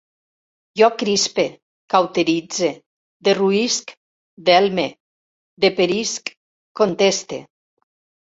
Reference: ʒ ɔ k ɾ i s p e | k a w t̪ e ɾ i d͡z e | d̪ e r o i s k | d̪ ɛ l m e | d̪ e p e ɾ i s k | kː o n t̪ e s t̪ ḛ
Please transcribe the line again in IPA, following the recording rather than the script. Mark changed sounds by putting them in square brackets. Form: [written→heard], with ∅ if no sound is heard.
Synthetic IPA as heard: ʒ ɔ k ɾ i s p e | k a w t̪ e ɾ i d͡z e | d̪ e r [o→u] i s k | d̪ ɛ l m e | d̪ e p e ɾ i s k | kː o n t̪ e s t̪ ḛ